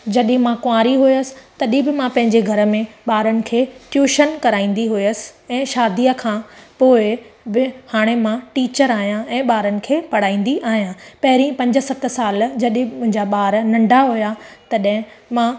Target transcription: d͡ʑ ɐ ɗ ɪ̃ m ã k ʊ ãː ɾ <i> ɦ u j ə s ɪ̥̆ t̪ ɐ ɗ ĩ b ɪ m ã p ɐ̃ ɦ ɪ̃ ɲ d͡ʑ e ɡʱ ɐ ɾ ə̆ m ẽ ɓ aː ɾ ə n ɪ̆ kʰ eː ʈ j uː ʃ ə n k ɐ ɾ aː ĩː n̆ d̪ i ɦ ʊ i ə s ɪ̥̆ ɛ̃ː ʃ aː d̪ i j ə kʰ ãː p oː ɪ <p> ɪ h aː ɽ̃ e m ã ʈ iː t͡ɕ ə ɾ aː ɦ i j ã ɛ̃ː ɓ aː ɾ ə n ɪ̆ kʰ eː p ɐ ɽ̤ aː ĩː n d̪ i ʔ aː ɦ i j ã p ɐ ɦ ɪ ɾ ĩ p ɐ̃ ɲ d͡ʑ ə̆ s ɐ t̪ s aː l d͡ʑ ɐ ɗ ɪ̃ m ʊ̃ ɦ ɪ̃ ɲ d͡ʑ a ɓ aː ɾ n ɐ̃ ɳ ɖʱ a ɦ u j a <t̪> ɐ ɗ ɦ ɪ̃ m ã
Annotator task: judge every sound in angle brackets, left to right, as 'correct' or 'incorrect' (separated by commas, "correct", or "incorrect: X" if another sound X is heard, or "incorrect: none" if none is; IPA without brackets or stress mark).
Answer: correct, incorrect: b, correct